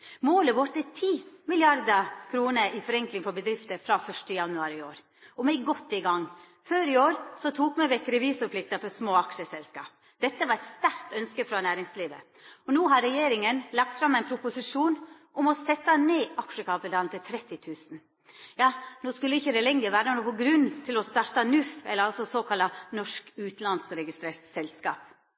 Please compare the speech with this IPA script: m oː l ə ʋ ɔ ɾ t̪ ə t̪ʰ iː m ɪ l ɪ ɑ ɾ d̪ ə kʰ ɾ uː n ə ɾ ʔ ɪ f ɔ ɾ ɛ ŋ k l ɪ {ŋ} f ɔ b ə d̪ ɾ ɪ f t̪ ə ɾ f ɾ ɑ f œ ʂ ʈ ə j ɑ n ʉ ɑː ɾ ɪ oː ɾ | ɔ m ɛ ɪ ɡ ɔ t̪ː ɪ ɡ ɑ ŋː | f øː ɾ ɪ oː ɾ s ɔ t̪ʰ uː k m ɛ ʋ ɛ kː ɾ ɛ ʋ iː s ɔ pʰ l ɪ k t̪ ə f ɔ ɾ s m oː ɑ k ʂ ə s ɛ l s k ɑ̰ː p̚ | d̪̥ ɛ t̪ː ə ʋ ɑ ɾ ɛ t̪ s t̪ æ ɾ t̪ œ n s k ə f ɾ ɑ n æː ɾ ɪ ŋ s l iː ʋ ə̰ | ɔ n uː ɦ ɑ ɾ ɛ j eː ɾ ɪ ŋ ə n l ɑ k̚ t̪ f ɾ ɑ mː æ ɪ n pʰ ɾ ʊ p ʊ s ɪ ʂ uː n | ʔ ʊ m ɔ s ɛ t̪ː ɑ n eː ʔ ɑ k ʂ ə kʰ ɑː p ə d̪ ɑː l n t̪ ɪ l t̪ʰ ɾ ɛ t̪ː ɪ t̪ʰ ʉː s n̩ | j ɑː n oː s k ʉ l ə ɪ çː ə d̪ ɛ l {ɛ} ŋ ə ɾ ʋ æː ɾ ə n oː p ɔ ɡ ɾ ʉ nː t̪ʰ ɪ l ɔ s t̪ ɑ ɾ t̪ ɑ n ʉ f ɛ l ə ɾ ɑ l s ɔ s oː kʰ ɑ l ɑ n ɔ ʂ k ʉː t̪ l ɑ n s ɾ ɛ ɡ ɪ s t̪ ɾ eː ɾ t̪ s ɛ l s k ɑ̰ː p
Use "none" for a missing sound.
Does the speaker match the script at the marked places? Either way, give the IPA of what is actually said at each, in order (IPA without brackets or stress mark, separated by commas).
ŋ, ɛ